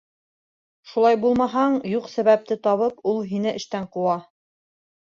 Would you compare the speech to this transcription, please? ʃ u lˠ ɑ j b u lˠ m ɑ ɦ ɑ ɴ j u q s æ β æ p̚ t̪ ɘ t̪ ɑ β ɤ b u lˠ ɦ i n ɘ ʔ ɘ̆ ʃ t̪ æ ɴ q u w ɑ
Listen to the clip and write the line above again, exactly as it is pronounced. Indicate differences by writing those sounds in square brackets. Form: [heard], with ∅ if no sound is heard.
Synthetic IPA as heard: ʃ u lˠ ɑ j b u lˠ m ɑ ɦ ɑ ɴ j u q s æ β æ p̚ t̪ ɘ t̪ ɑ β ɤ [p] u lˠ ɦ i n ɘ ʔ ɘ̆ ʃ t̪ æ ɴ q u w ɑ